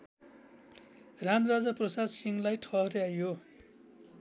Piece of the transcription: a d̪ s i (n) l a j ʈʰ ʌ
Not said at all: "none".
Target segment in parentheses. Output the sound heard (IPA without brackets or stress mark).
ŋ